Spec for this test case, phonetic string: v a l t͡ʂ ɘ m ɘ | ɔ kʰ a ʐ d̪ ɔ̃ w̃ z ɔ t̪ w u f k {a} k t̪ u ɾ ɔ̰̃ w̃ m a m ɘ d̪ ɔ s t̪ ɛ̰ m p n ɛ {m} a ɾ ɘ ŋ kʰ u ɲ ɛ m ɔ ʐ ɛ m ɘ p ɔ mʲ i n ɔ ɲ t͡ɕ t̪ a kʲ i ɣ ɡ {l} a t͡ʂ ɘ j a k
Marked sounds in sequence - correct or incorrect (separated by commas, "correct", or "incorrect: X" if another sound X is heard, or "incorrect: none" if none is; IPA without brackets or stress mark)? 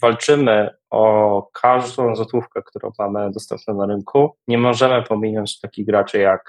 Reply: incorrect: ɛ, incorrect: n, incorrect: ɾ